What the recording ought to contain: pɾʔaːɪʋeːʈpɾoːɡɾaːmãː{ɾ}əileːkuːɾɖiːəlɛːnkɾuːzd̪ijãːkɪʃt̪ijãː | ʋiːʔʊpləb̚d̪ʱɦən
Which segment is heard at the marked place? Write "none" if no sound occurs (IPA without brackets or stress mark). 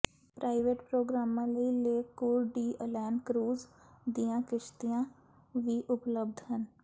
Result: l